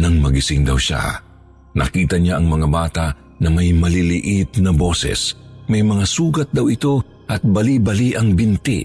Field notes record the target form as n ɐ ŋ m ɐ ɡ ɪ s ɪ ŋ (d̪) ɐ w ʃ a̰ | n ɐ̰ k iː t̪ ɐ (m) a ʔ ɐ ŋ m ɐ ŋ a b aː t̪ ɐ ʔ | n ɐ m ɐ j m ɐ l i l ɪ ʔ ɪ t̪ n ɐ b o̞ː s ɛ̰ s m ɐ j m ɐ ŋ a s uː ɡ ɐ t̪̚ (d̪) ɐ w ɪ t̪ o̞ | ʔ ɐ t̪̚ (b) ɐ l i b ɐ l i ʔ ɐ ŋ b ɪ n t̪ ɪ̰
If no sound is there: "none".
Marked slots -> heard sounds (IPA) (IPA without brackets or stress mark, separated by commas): d̪, ɲ, d̪, b